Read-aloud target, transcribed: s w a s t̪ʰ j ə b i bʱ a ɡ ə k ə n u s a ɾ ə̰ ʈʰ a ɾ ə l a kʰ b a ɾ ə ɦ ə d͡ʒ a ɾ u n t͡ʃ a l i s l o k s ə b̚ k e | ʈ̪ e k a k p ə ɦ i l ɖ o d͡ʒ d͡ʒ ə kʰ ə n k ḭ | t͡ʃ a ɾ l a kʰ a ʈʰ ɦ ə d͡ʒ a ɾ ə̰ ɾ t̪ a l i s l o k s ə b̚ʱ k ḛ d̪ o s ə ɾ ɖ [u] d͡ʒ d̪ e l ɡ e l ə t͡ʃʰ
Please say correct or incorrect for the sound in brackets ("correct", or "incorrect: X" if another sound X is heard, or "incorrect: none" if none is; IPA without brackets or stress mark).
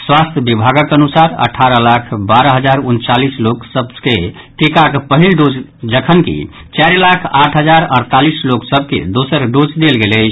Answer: incorrect: o